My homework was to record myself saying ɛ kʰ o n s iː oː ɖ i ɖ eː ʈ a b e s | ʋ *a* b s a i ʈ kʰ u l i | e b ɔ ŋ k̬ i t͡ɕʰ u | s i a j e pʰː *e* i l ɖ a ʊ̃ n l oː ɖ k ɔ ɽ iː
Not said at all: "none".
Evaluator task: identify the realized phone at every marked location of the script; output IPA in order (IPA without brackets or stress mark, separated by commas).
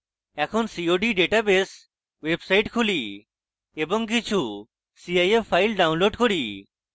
e, a